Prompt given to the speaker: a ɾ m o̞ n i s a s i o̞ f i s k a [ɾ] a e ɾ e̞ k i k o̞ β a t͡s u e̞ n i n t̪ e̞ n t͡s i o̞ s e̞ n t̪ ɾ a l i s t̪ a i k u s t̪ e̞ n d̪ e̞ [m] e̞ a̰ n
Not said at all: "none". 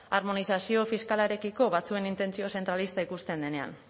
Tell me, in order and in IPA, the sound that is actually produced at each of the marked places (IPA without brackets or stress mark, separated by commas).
l, n